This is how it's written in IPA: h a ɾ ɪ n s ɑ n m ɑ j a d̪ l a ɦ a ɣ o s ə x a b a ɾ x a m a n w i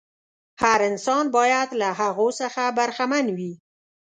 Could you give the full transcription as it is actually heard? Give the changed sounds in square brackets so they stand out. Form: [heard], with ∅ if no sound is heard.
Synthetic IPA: h a ɾ ɪ n s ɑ n [b] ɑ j a d̪ l a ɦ a ɣ o s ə x a b a ɾ x a m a n w i